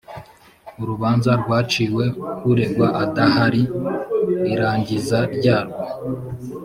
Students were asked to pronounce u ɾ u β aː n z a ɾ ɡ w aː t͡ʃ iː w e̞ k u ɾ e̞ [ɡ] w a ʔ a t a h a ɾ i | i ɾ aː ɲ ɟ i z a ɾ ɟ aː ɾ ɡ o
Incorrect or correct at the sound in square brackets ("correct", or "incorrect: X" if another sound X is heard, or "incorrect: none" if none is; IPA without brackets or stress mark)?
correct